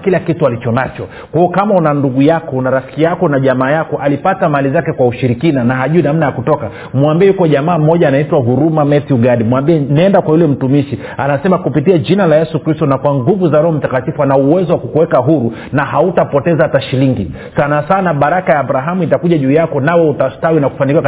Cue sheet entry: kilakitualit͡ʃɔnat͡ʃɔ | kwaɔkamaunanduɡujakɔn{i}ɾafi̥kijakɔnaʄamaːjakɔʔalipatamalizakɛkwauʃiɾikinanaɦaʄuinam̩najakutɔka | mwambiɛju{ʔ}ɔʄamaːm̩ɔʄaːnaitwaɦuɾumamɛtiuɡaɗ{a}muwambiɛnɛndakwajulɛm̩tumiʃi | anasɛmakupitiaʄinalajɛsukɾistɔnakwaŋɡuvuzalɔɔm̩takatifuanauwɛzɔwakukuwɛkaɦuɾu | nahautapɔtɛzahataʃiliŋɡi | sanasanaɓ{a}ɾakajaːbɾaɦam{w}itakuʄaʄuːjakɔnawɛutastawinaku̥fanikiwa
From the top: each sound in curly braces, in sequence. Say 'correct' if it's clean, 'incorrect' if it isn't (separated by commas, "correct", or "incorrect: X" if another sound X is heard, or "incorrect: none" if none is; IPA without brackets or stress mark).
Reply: incorrect: a, incorrect: k, incorrect: i, correct, incorrect: u